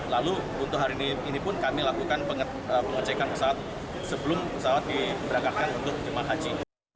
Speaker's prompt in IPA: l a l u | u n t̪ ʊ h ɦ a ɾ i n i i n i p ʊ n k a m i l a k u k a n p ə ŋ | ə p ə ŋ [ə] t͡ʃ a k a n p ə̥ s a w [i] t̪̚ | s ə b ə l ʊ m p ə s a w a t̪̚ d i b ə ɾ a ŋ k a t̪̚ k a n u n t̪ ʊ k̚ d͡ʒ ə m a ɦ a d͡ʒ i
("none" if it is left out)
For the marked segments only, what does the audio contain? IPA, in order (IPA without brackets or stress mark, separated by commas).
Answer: ə, a